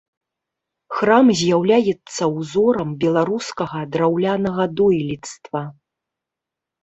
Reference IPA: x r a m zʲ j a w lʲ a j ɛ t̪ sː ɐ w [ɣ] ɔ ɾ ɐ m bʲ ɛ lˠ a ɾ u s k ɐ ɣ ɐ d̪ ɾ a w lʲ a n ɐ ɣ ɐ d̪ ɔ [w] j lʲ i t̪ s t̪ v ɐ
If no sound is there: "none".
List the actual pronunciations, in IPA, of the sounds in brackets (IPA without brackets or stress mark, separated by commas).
z, none